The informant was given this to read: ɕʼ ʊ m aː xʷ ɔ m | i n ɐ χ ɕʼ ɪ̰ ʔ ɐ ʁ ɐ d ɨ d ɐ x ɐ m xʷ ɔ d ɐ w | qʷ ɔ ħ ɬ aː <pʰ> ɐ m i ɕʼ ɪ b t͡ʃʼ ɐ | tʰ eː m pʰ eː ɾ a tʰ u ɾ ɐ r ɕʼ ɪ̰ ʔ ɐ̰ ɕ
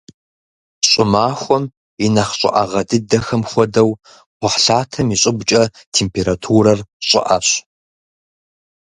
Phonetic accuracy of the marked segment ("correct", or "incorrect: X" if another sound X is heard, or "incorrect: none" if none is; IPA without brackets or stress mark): incorrect: tʰ